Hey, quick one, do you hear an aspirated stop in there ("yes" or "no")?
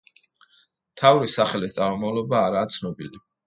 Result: yes